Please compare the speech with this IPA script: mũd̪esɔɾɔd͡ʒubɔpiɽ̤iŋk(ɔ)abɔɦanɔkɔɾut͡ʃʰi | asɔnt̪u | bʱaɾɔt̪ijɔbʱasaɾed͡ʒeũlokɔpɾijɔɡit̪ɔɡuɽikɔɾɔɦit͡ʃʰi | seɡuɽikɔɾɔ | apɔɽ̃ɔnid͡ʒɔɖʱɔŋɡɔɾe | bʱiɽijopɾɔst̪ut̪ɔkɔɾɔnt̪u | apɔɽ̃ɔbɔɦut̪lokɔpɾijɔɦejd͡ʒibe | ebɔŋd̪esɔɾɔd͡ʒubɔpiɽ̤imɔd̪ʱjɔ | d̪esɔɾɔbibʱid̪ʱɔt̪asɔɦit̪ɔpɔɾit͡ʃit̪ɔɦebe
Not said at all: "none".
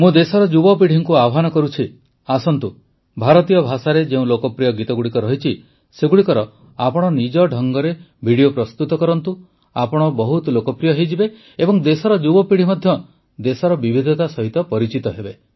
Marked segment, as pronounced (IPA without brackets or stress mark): u